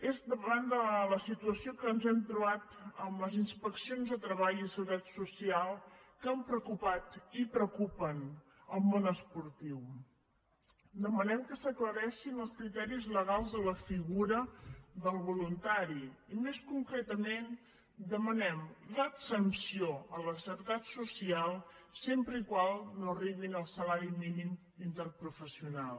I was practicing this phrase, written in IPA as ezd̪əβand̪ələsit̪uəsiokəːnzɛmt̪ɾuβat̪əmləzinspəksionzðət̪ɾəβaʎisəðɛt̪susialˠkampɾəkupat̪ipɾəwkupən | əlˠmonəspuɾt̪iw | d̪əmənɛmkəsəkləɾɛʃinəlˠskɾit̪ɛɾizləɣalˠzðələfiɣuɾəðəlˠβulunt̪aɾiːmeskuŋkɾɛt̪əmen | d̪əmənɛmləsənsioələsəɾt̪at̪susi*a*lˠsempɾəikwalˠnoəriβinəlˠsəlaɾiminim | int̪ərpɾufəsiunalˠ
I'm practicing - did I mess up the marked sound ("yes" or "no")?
no